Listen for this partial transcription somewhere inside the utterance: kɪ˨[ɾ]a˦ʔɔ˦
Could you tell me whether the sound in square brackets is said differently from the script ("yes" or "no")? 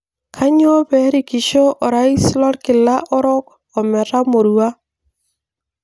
yes